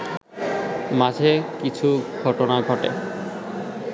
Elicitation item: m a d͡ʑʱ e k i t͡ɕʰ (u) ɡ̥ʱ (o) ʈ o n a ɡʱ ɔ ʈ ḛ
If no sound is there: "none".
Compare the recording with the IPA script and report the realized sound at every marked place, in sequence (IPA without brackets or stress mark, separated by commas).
u, ɔ